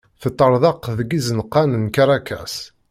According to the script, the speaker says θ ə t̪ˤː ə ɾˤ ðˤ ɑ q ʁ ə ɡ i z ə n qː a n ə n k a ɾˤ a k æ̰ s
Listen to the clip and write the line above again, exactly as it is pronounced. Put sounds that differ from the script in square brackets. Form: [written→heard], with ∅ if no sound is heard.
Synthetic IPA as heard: θ ə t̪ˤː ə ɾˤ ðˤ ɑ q [ʁ→ð] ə ɡ i z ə n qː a n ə n k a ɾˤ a k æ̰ s